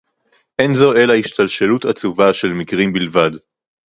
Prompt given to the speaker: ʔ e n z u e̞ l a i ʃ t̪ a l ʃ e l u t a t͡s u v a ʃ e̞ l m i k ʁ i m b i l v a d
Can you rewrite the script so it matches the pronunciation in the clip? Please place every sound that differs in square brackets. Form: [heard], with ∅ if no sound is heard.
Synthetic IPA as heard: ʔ e n z [o] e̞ l a i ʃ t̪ a l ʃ e l u t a t͡s u v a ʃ e̞ l m i k ʁ i m b i l v a d